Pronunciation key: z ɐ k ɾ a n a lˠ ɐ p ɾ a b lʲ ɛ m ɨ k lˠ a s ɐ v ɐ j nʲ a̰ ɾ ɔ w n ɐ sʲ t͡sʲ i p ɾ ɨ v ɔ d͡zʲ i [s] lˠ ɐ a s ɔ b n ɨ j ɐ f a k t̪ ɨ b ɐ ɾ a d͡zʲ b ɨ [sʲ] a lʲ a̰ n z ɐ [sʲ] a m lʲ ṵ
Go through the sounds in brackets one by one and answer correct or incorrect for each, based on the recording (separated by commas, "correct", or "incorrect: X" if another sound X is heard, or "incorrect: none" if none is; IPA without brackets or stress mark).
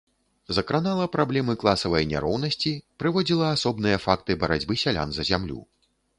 incorrect: none, correct, incorrect: zʲ